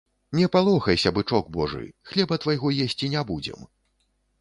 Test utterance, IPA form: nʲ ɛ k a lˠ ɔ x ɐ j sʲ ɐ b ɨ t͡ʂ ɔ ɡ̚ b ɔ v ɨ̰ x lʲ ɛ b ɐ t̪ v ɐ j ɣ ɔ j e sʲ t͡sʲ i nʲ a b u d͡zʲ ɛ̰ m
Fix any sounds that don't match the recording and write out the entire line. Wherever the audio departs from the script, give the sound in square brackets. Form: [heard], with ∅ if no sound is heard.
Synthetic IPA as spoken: nʲ ɛ [p] a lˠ ɔ x ɐ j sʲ ɐ b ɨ t͡ʂ ɔ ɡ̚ b ɔ [ʐ] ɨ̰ x lʲ ɛ b ɐ t̪ v [a] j ɣ ɔ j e sʲ t͡sʲ i nʲ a b u d͡zʲ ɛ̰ m